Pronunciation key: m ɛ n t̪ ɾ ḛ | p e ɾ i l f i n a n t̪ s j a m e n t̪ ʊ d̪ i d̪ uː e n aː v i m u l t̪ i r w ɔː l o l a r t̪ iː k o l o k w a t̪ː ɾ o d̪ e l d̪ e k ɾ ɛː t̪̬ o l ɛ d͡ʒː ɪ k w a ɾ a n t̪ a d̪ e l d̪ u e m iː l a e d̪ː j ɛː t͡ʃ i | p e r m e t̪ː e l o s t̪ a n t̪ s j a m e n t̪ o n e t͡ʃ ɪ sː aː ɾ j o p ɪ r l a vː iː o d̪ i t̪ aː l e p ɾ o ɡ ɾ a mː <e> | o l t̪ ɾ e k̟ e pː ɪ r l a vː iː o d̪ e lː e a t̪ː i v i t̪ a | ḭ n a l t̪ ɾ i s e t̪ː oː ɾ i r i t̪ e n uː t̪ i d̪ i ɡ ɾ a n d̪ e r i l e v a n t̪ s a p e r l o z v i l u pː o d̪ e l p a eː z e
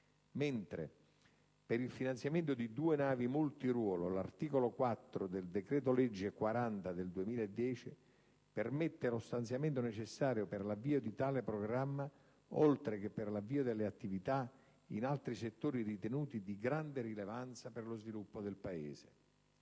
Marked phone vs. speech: incorrect: a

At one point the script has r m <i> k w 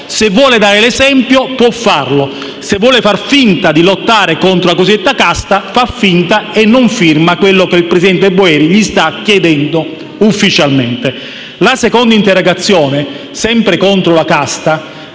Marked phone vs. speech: incorrect: a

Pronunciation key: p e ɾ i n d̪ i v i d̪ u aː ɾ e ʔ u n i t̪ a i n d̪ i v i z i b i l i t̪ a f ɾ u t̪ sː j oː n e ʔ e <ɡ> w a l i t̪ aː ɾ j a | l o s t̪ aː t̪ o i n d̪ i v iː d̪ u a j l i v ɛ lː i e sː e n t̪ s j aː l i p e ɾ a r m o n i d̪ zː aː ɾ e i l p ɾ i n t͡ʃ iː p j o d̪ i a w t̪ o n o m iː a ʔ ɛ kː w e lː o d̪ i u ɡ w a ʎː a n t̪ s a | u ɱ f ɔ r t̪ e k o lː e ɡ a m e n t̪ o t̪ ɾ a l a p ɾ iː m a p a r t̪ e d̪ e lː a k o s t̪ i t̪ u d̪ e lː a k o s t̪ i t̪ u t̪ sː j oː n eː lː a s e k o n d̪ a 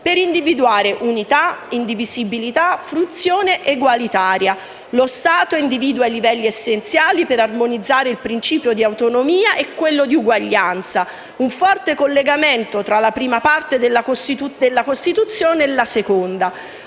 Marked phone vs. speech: correct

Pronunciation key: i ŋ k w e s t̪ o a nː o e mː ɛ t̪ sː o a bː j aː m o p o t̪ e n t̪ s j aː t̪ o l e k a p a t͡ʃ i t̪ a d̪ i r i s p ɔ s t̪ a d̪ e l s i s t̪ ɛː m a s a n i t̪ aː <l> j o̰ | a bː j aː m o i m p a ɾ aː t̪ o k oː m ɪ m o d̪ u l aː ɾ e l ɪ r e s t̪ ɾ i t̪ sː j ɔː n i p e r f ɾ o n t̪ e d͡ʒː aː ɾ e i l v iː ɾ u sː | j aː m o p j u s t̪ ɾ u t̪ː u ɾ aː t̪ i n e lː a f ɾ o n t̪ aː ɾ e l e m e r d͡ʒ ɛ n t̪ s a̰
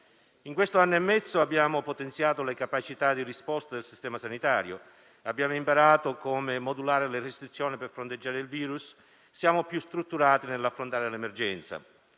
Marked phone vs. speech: incorrect: ɾ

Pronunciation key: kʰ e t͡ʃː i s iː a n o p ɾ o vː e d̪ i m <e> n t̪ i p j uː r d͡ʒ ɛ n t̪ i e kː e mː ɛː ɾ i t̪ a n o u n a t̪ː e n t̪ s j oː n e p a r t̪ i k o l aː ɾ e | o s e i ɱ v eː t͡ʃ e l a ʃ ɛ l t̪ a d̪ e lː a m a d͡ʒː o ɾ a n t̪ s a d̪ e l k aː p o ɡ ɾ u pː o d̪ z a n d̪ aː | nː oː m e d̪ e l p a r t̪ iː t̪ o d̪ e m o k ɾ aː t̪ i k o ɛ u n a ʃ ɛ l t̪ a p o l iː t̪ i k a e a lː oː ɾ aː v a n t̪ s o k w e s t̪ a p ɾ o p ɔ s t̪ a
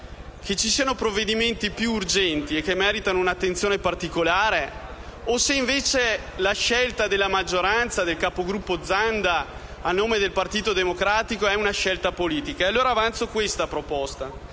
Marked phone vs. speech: correct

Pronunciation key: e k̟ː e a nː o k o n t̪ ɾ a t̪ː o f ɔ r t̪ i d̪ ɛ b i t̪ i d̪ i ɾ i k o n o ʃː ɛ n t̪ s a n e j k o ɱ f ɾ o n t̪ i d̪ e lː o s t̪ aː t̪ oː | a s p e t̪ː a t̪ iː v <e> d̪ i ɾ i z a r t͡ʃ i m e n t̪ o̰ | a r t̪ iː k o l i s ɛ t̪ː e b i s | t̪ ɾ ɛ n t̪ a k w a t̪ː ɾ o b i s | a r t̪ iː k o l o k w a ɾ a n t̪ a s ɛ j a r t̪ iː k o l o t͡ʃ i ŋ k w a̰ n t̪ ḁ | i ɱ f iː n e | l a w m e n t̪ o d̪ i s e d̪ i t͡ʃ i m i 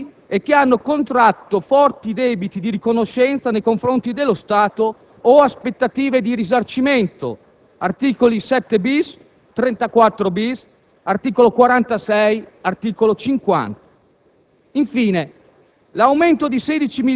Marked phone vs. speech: correct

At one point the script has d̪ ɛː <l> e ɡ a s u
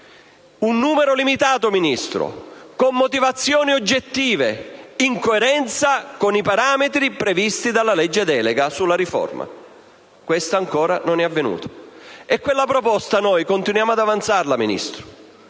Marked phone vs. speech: correct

